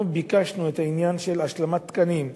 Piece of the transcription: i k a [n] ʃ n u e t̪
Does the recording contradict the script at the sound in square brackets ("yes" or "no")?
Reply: yes